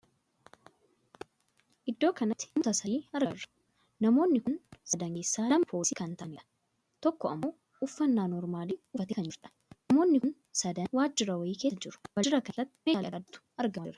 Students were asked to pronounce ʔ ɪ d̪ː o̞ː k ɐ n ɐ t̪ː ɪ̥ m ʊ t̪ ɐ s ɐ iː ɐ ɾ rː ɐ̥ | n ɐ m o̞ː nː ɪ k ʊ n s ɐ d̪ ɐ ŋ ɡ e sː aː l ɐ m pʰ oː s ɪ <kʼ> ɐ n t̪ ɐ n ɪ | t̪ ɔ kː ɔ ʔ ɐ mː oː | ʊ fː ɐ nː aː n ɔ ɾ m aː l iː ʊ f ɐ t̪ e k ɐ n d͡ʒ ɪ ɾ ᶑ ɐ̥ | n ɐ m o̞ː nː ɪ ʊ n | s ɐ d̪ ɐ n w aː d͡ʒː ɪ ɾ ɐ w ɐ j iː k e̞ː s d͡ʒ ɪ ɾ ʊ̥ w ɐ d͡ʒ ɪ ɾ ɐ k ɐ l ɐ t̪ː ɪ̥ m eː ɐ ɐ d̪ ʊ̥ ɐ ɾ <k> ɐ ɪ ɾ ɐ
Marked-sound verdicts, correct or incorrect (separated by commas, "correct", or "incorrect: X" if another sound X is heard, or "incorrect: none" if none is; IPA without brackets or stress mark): incorrect: k, incorrect: ɡ